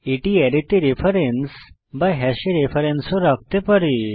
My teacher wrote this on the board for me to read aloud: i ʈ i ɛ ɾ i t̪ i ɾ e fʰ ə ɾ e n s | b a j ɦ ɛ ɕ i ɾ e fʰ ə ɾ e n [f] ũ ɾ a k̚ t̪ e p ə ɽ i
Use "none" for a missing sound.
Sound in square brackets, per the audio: s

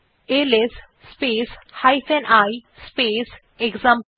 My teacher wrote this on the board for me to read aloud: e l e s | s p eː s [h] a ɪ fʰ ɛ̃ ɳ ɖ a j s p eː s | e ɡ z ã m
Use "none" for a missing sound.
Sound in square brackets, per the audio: h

